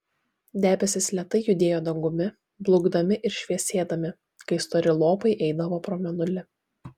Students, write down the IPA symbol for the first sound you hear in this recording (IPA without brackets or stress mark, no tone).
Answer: d̪ʲ